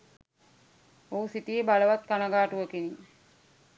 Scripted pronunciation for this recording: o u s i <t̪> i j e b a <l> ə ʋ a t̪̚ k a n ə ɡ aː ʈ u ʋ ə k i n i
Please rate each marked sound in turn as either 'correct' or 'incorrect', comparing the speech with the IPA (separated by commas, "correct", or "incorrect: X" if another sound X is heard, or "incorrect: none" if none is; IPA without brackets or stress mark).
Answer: correct, correct